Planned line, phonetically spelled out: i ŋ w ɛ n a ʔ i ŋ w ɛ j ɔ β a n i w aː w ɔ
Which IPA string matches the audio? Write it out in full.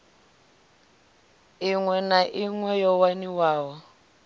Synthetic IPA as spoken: i ŋ w ɛ n a ʔ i ŋ w ɛ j ɔ w a n i w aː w ɔ